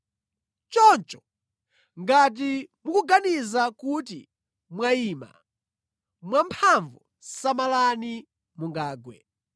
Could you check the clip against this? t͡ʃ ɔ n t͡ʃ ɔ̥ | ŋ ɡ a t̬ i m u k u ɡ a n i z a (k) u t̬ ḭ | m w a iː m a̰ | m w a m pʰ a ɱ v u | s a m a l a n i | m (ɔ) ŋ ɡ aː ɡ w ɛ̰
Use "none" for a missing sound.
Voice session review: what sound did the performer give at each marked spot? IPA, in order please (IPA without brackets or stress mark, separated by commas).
k, u